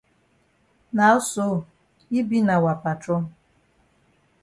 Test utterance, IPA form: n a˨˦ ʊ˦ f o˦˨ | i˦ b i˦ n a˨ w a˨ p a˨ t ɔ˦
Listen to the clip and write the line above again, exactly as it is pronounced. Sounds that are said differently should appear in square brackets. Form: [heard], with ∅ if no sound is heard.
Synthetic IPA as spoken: n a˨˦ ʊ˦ [s] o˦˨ | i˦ b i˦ n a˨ w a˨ p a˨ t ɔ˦